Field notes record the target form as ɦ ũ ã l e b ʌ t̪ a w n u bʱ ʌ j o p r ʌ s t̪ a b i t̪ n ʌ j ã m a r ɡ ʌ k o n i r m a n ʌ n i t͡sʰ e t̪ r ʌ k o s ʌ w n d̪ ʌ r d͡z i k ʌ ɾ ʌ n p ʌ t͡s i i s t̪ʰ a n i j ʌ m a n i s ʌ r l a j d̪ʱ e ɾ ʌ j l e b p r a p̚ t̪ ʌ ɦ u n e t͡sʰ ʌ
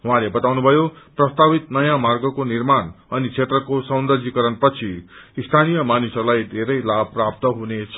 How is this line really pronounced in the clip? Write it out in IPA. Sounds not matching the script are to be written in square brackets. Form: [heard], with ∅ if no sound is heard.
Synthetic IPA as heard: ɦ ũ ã l e b ʌ t̪ a w n u bʱ ʌ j o p r ʌ s t̪ a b i t̪ n ʌ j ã m a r ɡ ʌ k o n i r m a n ʌ n i t͡sʰ e t̪ r ʌ k o s ʌ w n d̪ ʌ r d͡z i k ʌ ɾ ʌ n p ʌ [t͡sʰ] i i s t̪ʰ a n i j ʌ m a n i s ʌ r l a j d̪ʱ e ɾ ʌ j l [a] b p r a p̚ t̪ ʌ ɦ u n e t͡sʰ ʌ